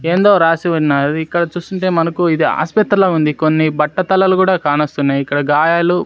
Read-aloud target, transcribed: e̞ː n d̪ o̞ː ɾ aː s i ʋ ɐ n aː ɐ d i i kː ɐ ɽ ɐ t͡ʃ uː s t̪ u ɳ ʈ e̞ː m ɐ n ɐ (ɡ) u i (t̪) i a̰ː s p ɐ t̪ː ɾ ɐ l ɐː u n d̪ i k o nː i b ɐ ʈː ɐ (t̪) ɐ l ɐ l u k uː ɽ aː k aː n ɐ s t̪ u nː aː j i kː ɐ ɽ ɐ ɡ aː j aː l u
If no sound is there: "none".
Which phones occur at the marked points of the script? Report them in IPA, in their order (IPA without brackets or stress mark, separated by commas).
k, d̪, t̪